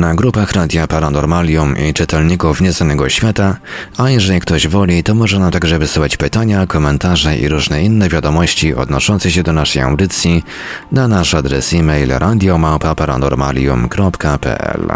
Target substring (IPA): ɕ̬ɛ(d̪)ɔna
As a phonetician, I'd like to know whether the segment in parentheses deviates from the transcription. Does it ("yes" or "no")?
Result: no